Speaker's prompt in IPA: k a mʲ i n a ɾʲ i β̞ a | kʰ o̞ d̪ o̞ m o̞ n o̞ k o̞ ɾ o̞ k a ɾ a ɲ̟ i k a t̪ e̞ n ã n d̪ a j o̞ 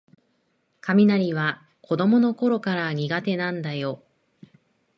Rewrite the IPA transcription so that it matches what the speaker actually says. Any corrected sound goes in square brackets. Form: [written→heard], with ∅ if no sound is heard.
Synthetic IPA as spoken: k a mʲ i n a ɾʲ i β̞ a | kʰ o̞ d̪ o̞ m o̞ n o̞ k o̞ ɾ o̞ k a ɾ a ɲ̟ i [k→ɡ] a t̪ e̞ n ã n d̪ a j o̞